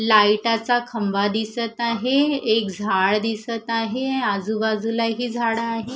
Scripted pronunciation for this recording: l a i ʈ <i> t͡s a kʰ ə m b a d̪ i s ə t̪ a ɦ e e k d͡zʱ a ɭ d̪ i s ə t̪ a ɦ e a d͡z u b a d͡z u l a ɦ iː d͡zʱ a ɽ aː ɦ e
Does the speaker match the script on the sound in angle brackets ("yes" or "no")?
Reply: no